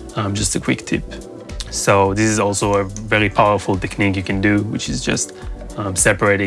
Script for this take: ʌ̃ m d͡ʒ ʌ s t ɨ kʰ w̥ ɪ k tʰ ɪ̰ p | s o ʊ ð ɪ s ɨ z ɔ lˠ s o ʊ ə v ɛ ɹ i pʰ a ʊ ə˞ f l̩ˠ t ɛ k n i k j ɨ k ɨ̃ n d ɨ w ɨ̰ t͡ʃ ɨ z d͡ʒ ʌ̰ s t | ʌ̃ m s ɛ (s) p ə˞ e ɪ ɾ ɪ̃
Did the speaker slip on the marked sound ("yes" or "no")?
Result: yes